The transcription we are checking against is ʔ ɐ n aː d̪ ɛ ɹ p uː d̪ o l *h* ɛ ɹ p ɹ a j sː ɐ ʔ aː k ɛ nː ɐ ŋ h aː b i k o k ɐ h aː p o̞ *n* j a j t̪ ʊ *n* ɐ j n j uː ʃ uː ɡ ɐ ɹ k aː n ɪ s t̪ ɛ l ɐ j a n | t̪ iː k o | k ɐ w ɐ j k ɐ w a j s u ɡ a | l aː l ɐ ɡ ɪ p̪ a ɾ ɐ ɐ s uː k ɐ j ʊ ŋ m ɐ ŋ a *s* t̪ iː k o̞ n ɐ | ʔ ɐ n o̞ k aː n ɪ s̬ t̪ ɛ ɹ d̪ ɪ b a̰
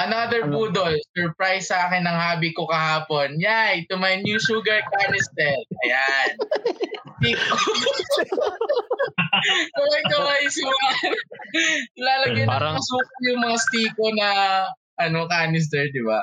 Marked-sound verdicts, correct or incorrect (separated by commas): incorrect, correct, incorrect, correct